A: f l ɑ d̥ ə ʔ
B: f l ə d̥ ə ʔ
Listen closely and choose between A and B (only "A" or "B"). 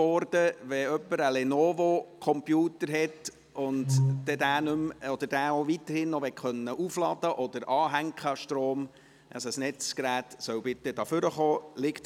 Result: A